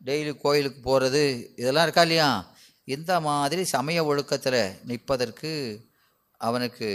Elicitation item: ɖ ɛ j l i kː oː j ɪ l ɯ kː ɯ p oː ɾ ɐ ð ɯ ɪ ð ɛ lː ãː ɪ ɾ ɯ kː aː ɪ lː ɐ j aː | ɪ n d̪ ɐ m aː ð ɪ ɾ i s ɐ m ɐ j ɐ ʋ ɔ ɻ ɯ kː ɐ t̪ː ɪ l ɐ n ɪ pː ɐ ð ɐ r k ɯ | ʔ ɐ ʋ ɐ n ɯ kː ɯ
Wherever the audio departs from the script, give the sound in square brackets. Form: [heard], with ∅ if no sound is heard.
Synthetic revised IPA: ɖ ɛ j l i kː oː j ɪ l ɯ kː ɯ p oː ɾ ɐ ð ɯ ɪ ð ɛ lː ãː ɪ ɾ ɯ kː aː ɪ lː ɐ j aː | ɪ n d̪ ɐ m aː ð ɪ ɾ i s ɐ m ɐ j ɐ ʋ ɔ ɻ ɯ kː ɐ t̪ː ɪ l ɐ n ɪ pː ɐ ð ɐ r k ɯ | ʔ ɐ ʋ ɐ n ɯ kː ɯ